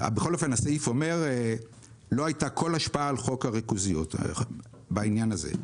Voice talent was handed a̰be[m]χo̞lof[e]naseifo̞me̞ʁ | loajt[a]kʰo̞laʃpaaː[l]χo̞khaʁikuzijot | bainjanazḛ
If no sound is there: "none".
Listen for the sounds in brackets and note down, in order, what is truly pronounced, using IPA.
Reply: none, e, a, l

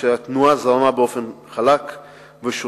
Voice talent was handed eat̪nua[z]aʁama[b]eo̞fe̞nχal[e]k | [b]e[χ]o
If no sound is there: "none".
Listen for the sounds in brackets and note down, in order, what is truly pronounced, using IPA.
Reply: z, b, a, v, ʃ

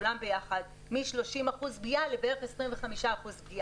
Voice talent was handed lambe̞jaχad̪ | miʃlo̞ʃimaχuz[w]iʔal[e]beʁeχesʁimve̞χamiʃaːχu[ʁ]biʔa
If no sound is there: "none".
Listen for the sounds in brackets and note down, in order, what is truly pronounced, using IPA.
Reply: b, e, z

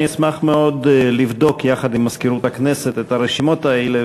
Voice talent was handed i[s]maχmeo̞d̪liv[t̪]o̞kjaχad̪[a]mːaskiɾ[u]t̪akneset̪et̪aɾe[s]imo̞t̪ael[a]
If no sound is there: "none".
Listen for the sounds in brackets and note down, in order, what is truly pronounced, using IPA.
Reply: s, d̪, i, u, ʃ, e

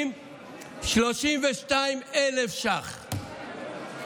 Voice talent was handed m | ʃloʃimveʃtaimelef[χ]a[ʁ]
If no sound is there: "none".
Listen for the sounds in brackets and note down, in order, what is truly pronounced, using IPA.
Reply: ʃ, χ

